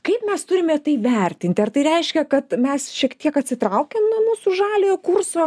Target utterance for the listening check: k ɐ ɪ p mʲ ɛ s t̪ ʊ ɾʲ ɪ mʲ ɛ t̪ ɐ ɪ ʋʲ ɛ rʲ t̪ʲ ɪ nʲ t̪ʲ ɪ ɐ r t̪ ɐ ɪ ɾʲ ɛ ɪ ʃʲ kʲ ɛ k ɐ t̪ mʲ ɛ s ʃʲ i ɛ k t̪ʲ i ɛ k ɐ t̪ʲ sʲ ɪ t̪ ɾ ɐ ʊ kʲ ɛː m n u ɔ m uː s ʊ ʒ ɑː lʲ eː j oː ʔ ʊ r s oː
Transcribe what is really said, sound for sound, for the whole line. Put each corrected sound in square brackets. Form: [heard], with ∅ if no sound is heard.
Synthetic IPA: k ɐ ɪ p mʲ ɛ s t̪ ʊ ɾʲ ɪ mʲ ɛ t̪ ɐ ɪ ʋʲ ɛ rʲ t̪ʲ ɪ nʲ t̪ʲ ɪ ɐ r t̪ ɐ ɪ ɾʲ ɛ ɪ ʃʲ kʲ ɛ k ɐ t̪ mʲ ɛ s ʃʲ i ɛ k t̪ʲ i ɛ k ɐ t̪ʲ sʲ ɪ t̪ ɾ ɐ ʊ kʲ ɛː m n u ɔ m uː s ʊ ʒ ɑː lʲ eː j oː [k] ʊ r s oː